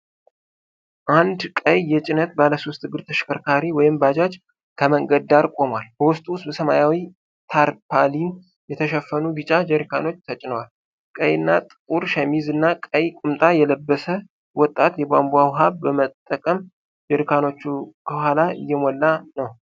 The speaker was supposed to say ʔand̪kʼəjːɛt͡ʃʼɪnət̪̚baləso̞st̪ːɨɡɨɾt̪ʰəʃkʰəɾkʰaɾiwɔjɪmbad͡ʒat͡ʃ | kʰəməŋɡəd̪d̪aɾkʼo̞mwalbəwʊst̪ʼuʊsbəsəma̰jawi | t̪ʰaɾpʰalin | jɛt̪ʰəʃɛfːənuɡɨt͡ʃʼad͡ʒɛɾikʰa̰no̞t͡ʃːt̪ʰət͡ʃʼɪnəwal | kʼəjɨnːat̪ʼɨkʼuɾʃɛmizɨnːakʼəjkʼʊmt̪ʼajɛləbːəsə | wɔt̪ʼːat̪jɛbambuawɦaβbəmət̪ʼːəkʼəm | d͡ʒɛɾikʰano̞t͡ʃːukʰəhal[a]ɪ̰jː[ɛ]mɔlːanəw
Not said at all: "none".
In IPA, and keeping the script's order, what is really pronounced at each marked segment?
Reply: a, ɛ

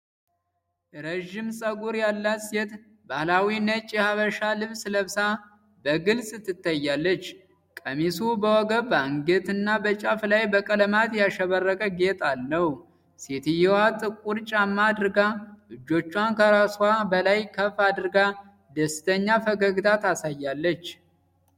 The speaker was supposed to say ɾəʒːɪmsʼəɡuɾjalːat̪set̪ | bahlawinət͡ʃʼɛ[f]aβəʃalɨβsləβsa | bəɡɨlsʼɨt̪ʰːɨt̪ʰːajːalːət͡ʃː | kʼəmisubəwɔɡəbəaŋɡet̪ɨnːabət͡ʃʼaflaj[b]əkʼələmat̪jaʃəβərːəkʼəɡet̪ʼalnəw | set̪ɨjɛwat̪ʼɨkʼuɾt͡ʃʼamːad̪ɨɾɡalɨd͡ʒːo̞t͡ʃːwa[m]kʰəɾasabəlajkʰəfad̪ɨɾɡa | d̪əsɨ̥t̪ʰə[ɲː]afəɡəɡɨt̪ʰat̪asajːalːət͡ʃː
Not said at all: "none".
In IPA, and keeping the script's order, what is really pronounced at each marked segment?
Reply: h, b, n, ɲː

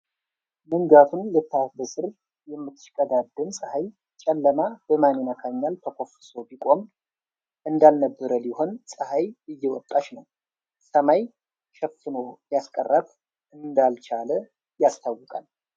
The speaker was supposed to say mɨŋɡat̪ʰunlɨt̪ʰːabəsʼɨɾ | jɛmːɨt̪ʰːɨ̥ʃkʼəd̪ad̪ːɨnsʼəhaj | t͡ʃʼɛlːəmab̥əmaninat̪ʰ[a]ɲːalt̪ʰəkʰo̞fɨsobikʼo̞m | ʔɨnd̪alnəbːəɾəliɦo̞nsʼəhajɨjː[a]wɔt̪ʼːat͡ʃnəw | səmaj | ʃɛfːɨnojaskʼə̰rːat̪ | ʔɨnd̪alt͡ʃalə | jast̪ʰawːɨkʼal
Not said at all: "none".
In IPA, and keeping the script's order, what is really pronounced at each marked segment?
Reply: a, ɛ

